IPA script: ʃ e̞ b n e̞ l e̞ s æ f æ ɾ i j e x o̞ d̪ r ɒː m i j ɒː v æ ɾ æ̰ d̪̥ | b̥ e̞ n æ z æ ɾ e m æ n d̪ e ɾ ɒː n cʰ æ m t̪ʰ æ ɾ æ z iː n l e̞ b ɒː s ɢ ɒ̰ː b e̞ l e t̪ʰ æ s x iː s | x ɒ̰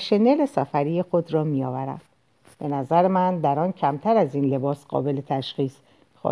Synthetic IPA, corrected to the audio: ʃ e̞ n e̞ l e̞ s æ f æ ɾ i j e x o̞ d̪ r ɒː m i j ɒː v æ ɾ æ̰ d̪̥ | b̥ e̞ n æ z æ ɾ e m æ n d̪ æ ɾ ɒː n cʰ æ m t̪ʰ æ ɾ æ z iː n l e̞ b ɒː s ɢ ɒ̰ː b e̞ l e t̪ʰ æ ʃ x iː s | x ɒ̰